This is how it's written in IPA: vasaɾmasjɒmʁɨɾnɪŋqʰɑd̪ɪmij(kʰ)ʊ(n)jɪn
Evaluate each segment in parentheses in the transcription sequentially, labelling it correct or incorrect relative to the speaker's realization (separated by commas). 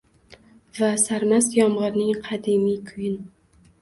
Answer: correct, incorrect